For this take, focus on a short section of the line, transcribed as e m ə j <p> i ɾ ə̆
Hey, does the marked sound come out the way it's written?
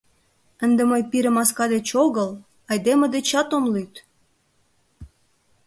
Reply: yes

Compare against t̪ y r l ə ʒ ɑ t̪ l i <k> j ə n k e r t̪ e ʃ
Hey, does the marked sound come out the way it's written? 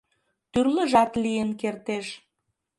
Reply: no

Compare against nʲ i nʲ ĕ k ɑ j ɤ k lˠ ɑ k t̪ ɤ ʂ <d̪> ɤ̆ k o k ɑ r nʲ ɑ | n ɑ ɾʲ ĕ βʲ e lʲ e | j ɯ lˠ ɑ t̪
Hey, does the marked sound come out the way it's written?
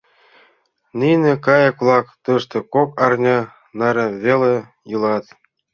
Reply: no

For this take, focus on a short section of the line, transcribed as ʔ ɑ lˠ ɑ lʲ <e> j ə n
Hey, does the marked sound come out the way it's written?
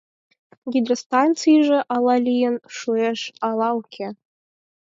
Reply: no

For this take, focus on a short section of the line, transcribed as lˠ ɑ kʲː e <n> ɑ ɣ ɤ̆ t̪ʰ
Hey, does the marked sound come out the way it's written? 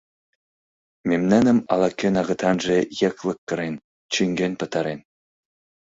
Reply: yes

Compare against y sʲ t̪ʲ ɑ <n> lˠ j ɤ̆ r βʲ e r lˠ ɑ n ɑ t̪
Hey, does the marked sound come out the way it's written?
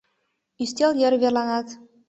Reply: no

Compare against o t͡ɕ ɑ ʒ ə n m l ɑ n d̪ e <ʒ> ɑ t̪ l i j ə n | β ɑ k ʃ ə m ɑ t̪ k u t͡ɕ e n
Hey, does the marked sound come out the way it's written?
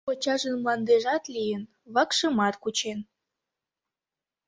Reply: yes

